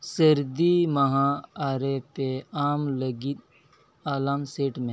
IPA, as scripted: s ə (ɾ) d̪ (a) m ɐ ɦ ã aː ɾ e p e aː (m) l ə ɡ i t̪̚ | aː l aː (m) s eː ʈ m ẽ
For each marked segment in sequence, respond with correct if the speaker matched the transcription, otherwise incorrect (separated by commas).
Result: correct, incorrect, correct, correct